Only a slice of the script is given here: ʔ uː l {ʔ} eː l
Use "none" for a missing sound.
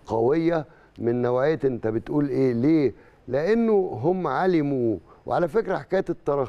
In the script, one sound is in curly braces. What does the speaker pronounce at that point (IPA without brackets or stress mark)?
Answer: ʔ